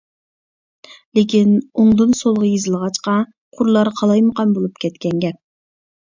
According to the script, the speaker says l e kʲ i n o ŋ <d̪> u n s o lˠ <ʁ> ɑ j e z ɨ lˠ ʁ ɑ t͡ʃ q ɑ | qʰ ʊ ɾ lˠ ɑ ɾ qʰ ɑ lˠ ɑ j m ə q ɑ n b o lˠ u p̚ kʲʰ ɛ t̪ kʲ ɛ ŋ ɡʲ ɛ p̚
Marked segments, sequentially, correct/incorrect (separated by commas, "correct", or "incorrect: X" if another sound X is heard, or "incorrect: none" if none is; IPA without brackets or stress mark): correct, correct